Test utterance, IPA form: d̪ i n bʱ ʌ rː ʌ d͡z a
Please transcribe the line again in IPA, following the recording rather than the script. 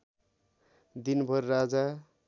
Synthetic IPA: d̪ i n bʱ ʌ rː a d͡z a